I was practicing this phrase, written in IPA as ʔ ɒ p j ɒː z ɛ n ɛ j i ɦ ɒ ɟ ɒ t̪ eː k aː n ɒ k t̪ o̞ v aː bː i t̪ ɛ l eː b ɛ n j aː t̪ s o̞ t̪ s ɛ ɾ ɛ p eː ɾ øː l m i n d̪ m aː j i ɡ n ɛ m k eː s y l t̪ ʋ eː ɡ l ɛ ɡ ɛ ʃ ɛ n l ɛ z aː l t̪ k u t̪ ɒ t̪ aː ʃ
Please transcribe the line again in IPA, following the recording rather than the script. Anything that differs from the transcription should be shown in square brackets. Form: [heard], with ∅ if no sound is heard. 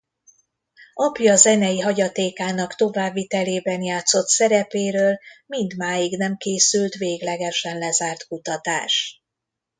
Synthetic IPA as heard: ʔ ɒ p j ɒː z ɛ n ɛ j i ɦ ɒ ɟ ɒ t̪ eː k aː n ɒ k t̪ o̞ v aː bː i t̪ ɛ l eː b ɛ n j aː t̪ s o̞ t̪ s ɛ ɾ ɛ p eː ɾ øː l m i n d̪ m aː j i ɡ n ɛ m k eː s y l t̪ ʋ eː ɡ l ɛ ɡ ɛ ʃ ɛ n l ɛ z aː [r] t̪ k u t̪ ɒ t̪ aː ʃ